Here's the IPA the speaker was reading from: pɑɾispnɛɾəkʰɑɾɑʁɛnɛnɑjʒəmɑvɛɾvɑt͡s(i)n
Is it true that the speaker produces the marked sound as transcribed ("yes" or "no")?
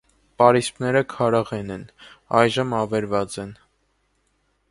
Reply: no